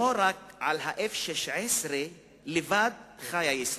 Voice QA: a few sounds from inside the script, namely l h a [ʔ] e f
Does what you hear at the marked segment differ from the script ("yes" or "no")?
no